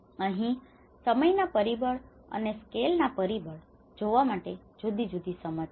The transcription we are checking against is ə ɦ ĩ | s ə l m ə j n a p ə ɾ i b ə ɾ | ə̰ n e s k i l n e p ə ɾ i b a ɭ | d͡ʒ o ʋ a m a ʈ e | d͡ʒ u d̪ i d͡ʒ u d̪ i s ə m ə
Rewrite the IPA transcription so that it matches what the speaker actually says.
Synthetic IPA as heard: ə ɦ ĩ | s ə m ə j n a p ə ɾ i b ə ɭ | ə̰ n e s k e l n a p ə ɾ i b ə ɭ | d͡ʒ o ʋ a m a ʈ e | d͡ʒ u d̪ i d͡ʒ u d̪ i s ə m ə